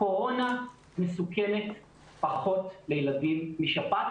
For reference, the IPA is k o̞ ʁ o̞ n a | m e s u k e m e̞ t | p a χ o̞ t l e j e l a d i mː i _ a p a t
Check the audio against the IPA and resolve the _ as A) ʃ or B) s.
A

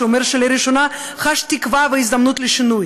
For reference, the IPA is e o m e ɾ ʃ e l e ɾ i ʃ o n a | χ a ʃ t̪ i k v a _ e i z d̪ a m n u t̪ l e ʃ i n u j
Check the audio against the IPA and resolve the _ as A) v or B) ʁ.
A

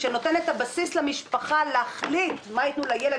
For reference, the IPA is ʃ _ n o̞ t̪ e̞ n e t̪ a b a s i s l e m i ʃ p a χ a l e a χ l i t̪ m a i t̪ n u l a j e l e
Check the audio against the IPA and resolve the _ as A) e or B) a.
A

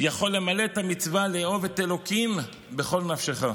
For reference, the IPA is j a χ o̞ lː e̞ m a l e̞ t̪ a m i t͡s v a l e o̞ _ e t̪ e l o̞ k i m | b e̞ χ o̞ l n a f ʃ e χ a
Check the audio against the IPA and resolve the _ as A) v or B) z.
A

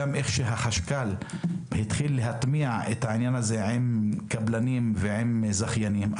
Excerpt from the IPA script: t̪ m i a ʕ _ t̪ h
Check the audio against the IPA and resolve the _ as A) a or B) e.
B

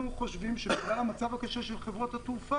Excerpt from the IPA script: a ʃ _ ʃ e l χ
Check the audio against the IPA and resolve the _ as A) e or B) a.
A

